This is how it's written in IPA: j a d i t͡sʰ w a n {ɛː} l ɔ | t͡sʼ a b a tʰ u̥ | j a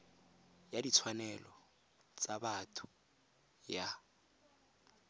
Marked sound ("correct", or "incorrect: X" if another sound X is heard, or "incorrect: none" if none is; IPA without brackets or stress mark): incorrect: ɛ